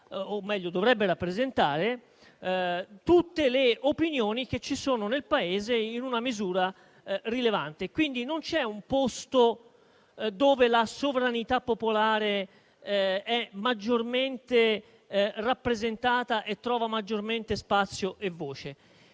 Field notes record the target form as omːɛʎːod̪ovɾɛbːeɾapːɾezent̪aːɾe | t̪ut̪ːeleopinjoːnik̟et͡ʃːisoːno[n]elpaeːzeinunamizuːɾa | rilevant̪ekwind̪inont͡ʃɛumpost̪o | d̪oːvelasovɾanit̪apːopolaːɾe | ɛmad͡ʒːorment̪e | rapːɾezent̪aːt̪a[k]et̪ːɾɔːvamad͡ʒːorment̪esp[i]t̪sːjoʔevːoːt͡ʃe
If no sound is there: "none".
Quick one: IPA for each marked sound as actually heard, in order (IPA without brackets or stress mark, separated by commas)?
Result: n, ʔ, a